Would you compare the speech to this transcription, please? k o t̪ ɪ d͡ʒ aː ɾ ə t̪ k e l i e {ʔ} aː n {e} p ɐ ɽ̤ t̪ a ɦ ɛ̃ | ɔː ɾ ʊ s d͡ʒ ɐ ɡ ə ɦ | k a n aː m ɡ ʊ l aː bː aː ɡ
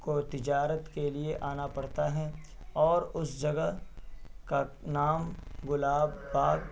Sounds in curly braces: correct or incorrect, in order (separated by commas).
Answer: correct, incorrect